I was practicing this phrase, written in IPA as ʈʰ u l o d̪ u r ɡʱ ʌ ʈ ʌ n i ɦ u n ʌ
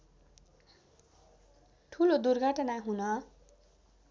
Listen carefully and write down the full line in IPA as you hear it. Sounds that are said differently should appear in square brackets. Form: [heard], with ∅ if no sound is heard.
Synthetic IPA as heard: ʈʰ u l o d̪ u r ɡʱ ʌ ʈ ʌ n [a] ɦ u n ʌ

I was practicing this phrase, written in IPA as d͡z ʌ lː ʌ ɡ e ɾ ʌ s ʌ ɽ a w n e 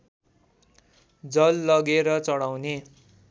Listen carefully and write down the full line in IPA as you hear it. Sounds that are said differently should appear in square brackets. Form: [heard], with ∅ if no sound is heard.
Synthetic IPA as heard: d͡z ʌ lː ʌ ɡ e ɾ ʌ [t͡s] ʌ ɽ a w n e

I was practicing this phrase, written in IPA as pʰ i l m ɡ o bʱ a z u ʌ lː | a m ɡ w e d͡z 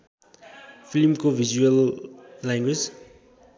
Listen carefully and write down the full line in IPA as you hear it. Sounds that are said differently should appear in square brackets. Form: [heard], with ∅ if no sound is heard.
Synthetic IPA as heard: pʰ i l m [k] o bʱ [i] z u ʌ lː | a [ŋ] ɡ w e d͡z

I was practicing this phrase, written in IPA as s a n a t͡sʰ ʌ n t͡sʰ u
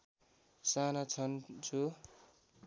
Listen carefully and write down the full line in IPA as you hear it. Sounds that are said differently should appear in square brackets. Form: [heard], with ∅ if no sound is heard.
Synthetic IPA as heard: s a n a t͡sʰ ʌ n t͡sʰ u

